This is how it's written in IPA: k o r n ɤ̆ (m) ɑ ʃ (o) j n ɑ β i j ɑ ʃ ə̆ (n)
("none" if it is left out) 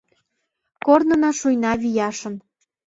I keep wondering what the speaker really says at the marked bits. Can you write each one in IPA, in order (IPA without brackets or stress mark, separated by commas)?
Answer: n, u, n